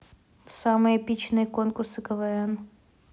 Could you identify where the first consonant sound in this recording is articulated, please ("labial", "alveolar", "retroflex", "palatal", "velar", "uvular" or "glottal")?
alveolar